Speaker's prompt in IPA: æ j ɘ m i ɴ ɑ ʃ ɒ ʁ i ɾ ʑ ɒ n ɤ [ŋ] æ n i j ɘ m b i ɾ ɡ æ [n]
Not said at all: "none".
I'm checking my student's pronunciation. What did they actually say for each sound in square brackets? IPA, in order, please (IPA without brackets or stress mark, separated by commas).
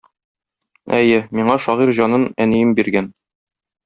n, n